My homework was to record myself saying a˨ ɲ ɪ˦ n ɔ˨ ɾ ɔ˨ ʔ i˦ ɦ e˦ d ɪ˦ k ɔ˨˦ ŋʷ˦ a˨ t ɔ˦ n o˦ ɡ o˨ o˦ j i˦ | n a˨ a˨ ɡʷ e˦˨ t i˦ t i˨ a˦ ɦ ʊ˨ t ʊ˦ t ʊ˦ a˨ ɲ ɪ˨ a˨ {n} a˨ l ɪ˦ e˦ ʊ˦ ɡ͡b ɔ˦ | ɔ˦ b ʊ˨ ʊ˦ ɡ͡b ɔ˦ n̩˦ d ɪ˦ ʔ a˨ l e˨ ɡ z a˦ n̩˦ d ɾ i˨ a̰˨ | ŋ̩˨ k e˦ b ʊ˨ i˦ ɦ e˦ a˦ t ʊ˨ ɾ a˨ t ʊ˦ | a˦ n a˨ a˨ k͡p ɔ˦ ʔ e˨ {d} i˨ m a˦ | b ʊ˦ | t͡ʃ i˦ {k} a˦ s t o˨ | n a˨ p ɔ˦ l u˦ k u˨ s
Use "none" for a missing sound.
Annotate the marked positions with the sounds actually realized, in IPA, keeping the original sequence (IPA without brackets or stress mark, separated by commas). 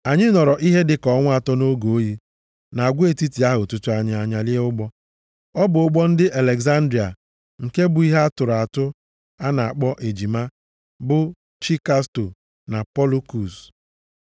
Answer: ɲ, d͡ʒ, k